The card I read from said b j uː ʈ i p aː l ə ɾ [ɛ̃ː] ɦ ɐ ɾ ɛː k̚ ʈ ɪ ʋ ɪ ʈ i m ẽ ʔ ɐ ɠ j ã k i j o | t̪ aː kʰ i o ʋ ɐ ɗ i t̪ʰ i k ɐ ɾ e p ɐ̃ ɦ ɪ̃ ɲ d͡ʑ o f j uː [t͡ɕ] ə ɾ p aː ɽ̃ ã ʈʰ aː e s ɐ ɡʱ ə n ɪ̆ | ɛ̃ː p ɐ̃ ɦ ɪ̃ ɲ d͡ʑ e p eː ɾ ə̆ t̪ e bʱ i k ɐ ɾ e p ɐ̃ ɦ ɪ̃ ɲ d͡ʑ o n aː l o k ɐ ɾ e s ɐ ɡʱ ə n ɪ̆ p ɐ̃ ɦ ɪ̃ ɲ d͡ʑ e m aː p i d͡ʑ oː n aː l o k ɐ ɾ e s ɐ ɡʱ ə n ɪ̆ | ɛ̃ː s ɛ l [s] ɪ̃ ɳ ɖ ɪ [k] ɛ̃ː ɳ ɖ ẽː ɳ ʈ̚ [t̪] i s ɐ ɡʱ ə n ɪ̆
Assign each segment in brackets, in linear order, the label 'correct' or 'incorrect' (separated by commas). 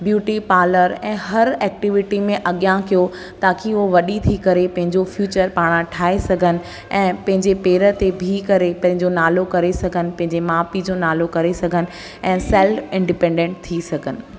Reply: correct, correct, incorrect, incorrect, incorrect